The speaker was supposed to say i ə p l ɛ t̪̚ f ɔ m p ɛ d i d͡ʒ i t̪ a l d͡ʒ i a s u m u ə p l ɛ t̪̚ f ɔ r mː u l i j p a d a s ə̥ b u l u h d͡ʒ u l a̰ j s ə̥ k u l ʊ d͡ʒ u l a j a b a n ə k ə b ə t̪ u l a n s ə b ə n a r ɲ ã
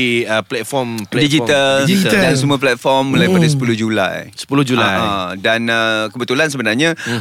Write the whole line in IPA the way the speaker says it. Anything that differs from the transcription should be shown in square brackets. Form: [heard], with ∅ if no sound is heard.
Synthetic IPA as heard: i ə p l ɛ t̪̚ f ɔ m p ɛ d i d͡ʒ i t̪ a l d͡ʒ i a s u m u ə p l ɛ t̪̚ f ɔ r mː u l [a] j p a d a s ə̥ [p] u l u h d͡ʒ u l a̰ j s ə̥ [p] u l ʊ d͡ʒ u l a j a [d] a n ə k ə b ə t̪ u l a n s ə b ə n a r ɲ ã